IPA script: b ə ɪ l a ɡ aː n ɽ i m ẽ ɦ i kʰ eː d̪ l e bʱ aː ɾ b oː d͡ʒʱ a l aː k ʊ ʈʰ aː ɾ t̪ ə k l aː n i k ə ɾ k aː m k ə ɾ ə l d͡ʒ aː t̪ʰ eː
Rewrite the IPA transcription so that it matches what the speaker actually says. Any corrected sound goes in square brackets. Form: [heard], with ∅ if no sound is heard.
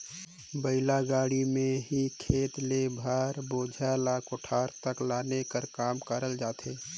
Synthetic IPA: b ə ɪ l a ɡ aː [∅] ɽ i m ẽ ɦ i kʰ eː [t̪] l e bʱ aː ɾ b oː d͡ʒʱ a l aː k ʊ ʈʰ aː ɾ t̪ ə k l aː n [e] k ə ɾ k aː m k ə ɾ ə l d͡ʒ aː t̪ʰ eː

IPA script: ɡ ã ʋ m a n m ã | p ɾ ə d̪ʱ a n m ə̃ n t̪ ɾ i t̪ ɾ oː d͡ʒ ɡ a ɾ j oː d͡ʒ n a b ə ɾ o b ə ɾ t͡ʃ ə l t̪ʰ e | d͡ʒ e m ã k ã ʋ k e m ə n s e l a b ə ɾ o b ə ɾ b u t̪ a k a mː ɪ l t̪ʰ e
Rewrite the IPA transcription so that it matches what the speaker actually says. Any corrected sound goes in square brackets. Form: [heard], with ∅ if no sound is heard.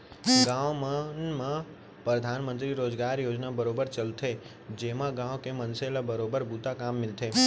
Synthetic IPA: ɡ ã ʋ m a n m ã | p ɾ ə d̪ʱ a n m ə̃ n t̪ ɾ i [∅] ɾ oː d͡ʒ ɡ a ɾ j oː d͡ʒ n a b ə ɾ o b ə ɾ t͡ʃ ə l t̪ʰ e | d͡ʒ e m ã [ɡ] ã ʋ k e m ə n s e l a b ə ɾ o b ə ɾ b u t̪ a k a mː ɪ l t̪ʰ e

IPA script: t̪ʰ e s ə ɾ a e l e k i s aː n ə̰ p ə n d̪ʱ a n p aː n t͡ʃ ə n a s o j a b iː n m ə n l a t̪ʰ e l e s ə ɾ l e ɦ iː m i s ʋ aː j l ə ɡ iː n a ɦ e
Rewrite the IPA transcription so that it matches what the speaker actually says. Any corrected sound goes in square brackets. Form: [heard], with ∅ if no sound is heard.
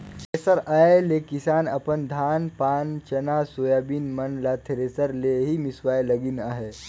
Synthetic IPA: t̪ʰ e s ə ɾ a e l e k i s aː n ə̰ p ə n d̪ʱ a n p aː n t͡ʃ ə n a s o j a b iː n m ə n l a t̪ʰ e [ɾ] e s ə ɾ l e ɦ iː m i s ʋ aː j l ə ɡ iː n a ɦ e

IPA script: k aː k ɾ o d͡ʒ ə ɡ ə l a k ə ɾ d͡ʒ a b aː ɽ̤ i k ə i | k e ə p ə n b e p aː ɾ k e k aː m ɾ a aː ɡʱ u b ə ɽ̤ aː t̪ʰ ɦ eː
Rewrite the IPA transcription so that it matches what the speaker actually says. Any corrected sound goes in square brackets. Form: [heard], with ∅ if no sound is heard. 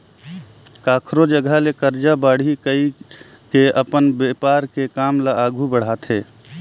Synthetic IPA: k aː [kʰ] ɾ o d͡ʒ ə ɡ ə l [e] k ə ɾ d͡ʒ a b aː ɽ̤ i k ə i | k e ə p ə n b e p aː ɾ k e k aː m [l] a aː ɡʱ u b ə ɽ̤ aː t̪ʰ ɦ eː

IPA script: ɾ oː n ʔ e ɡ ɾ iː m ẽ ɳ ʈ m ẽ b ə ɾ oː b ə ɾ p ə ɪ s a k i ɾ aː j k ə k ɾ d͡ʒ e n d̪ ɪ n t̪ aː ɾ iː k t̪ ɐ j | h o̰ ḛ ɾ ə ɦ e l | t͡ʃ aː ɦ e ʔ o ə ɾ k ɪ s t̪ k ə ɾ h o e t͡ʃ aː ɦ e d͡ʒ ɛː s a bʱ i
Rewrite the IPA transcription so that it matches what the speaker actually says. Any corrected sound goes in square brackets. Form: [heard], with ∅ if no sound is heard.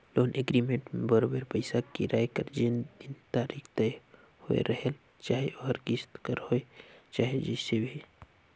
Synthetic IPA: [l] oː n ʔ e ɡ ɾ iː m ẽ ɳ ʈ m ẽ b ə ɾ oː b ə ɾ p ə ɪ s a k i ɾ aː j k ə [∅] ɾ d͡ʒ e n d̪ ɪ n t̪ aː ɾ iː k t̪ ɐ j | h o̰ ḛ ɾ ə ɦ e l | t͡ʃ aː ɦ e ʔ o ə ɾ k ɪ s t̪ k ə ɾ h o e t͡ʃ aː ɦ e d͡ʒ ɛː s [e] bʱ i

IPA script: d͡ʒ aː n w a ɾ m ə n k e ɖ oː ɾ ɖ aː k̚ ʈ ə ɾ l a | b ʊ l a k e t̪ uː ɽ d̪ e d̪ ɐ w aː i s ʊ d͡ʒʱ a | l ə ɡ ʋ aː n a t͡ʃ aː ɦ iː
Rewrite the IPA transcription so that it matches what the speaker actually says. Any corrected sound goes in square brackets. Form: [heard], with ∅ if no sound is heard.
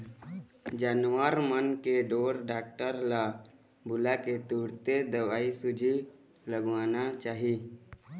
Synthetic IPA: d͡ʒ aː n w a ɾ m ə n k e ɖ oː ɾ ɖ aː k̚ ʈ ə ɾ l a | b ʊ l a k e t̪ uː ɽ [t̪] e d̪ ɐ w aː i s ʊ d͡ʒʱ [i] | l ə ɡ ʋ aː n a t͡ʃ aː ɦ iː

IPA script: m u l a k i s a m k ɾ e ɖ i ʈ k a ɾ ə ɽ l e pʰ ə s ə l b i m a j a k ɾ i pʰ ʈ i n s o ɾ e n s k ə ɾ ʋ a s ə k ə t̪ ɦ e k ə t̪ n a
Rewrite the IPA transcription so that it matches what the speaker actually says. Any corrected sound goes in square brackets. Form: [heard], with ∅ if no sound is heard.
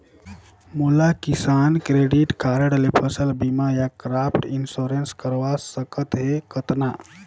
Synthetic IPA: m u l a k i s a [n] k ɾ e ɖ i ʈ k a ɾ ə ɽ l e pʰ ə s ə l b i m a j a k ɾ [a] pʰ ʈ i n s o ɾ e n s k ə ɾ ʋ a s ə k ə t̪ ɦ e k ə t̪ n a

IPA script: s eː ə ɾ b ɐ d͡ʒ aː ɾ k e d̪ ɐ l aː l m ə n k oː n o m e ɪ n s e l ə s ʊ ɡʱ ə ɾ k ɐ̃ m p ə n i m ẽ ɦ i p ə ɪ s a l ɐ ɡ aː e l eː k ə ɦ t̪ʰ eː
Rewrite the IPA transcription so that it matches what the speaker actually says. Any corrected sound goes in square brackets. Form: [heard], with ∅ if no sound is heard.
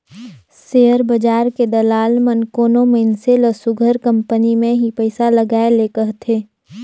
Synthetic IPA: s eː ə ɾ b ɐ d͡ʒ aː ɾ k e d̪ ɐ l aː l m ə n k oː n o m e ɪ n s e l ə s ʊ ɡʱ ə ɾ k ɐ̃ m p ə n i m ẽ ɦ i p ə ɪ s a l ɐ ɡ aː e l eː k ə ɦ t̪ʰ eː

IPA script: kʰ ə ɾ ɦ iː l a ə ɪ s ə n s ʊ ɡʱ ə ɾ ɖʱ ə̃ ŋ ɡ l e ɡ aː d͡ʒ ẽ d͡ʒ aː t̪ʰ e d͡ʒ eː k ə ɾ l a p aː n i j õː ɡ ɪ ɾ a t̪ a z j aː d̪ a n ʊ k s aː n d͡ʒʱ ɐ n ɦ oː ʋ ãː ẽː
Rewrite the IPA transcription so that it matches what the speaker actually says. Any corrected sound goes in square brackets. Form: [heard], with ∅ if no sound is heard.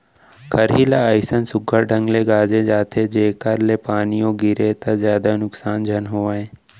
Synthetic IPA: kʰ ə ɾ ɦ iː l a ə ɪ s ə n s ʊ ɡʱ ə ɾ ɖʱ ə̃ ŋ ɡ l e ɡ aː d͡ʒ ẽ d͡ʒ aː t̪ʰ e d͡ʒ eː k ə ɾ l [e] p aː n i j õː ɡ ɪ ɾ [e] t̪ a z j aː d̪ a n ʊ k s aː n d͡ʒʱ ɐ n ɦ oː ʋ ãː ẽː

